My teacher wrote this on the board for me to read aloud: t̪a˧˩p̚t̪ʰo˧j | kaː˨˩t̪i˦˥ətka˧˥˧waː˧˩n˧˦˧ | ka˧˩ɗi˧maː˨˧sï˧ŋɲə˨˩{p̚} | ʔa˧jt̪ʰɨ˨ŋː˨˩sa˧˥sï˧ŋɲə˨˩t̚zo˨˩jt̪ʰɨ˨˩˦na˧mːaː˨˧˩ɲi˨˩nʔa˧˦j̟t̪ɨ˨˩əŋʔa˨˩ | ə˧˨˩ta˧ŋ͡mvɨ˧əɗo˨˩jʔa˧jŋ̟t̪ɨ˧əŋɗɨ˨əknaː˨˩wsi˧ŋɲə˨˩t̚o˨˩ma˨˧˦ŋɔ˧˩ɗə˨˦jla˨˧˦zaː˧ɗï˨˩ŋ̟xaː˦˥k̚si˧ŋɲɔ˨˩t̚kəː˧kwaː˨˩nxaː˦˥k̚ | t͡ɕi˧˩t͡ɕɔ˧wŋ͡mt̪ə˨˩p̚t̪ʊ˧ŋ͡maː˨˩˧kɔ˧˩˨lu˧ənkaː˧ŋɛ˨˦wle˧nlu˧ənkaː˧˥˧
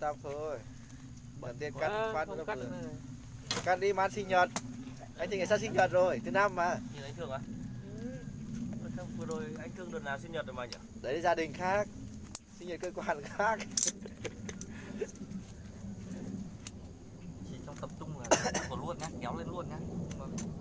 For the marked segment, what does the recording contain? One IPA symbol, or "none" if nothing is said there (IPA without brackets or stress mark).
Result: t̚